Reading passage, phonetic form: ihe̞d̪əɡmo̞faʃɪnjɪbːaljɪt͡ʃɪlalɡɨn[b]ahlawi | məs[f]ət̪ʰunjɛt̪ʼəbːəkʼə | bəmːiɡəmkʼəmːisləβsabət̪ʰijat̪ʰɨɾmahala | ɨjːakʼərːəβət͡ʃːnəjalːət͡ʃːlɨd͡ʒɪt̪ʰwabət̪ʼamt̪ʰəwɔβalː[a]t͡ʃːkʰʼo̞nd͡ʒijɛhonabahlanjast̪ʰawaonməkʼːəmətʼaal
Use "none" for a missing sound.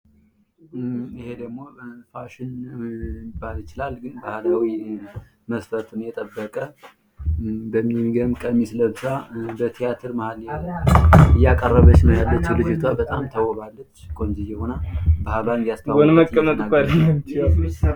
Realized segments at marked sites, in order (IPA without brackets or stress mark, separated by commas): b, f, ə